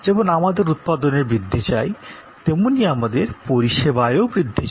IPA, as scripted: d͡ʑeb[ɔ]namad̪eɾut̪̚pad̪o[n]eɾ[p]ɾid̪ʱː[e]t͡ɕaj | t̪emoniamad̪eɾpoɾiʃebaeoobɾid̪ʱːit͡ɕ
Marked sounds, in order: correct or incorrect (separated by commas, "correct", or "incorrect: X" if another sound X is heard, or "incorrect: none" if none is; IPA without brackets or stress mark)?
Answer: incorrect: o, correct, incorrect: b, incorrect: i